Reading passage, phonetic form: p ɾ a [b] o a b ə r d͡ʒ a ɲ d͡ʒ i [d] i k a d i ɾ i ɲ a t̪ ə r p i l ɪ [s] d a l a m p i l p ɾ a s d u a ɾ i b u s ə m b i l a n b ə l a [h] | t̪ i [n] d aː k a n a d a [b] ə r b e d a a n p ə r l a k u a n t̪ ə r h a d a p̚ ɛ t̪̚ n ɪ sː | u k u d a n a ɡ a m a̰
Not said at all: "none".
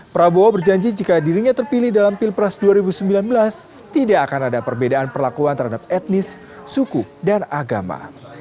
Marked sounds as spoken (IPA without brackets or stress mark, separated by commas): b, d͡ʒ, h, s, none, p